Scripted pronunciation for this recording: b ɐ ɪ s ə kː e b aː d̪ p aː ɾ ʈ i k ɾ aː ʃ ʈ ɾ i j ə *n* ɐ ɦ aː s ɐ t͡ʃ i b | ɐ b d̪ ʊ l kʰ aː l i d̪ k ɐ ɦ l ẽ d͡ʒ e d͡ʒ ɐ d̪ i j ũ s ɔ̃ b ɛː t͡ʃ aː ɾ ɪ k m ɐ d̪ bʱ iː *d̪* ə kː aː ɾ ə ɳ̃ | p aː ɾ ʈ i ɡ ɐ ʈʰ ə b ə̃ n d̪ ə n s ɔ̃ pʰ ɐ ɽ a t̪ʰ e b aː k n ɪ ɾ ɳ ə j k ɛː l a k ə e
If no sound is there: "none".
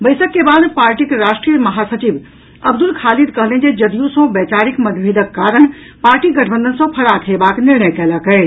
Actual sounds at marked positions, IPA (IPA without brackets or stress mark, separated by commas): m, d̪